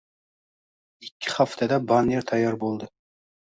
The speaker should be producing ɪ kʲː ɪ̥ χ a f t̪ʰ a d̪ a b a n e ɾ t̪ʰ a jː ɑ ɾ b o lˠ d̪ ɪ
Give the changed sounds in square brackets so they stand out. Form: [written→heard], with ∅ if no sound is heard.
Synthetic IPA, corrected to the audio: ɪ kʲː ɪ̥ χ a f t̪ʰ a d̪ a b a n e ɾ t̪ʰ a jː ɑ ɾ b o lˠ d̪ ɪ